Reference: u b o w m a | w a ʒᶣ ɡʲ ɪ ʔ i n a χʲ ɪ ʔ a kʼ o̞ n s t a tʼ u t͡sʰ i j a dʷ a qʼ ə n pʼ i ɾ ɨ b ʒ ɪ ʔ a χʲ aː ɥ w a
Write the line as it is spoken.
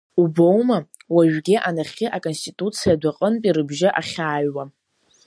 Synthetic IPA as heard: u b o w m a | w a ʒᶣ ɡʲ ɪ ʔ a n a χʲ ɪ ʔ a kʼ o̞ n s t i tʼ u t͡sʰ i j a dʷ a qʼ ə n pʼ i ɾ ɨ b ʒ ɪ ʔ a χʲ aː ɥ w a

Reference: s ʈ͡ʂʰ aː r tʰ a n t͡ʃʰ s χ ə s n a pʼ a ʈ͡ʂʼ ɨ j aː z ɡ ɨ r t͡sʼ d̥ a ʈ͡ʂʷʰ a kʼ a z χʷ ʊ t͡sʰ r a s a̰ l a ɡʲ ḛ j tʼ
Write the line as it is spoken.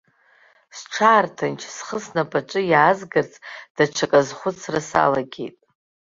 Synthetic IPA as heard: s ʈ͡ʂʰ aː r tʰ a n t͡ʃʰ s χ ə s n a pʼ a ʈ͡ʂʼ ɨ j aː z ɡ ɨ r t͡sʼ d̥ a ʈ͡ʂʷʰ a kʼ a z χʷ ʊ t͡sʰ r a s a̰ l a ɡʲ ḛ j tʼ

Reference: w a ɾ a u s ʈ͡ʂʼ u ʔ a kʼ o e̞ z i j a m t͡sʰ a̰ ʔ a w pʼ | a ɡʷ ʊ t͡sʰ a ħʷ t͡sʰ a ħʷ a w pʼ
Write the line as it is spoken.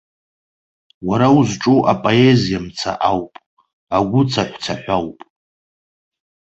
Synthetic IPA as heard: w a ɾ a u z ʈ͡ʂʼ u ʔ a pʼ o e̞ z i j a m t͡sʰ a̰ ʔ a w pʼ | a ɡʷ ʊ t͡sʰ a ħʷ t͡sʰ a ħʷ a w pʼ

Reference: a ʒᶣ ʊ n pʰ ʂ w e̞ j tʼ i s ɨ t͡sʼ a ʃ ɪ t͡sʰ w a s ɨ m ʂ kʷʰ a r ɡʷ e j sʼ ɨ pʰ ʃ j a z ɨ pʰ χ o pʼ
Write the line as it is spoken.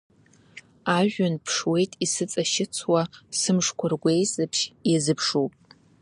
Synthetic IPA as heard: a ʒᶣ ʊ n pʰ ʂ w e̞ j tʼ i s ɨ t͡sʼ a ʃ ɪ t͡sʰ w a s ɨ m ʂ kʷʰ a r ɡʷ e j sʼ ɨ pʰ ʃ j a z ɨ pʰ ʂ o pʼ

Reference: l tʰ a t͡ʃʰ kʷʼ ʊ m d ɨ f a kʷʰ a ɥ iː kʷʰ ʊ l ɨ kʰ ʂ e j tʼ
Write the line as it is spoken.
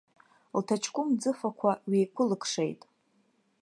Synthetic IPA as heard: l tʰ a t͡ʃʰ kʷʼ ʊ m d͡z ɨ f a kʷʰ a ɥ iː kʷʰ ʊ l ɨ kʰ ʂ e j tʼ

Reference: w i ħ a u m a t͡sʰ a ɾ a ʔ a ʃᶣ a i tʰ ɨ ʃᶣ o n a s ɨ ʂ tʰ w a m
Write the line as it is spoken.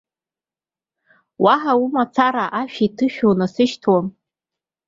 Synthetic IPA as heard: w a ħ a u m a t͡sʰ a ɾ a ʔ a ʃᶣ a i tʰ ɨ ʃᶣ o n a s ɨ ʃ tʰ w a m

